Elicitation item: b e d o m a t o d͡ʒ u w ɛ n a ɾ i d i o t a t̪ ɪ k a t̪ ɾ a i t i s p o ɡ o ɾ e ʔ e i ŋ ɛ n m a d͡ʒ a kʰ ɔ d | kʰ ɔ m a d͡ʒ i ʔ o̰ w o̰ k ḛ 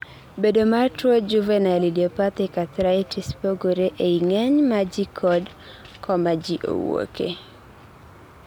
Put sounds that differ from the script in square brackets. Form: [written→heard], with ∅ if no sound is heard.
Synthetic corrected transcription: b e d o m a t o d͡ʒ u [w→v] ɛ n a [ɾ→l] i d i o [t→p] a t̪ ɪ k a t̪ ɾ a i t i s p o ɡ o ɾ e ʔ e i ŋ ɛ [n→ɲ] m a d͡ʒ [a→i] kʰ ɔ d | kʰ ɔ m a d͡ʒ i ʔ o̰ w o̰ k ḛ